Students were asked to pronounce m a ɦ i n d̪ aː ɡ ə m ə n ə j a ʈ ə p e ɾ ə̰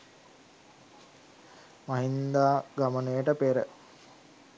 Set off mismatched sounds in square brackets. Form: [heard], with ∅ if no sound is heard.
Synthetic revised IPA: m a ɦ i n d̪ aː ɡ [a] m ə n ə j [ə] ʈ ə p e ɾ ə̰